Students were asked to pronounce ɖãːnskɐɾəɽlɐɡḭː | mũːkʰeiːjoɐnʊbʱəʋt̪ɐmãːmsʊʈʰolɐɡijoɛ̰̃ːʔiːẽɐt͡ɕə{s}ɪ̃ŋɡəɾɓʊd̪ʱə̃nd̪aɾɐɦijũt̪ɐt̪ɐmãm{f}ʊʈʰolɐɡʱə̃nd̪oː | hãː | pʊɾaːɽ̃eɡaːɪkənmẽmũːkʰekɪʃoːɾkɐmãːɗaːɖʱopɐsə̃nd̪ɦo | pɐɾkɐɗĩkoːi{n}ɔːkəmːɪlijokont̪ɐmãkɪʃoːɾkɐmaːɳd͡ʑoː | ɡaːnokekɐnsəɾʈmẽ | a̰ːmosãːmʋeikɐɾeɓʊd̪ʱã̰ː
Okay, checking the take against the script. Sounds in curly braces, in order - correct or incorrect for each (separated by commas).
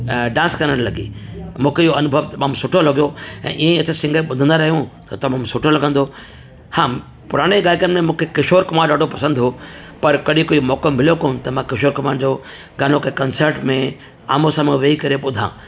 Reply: correct, incorrect, incorrect